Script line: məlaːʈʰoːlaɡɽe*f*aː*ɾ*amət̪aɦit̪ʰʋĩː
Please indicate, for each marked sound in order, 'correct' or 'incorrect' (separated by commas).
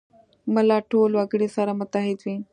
incorrect, correct